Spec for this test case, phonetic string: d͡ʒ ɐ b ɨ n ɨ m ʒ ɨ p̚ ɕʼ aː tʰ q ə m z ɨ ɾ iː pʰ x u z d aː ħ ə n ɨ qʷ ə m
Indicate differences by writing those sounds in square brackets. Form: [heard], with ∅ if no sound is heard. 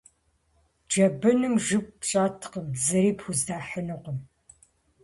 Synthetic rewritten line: d͡ʒ ɐ b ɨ n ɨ m ʒ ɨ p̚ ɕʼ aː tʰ q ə m z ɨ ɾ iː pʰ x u z d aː ħ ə n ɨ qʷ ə m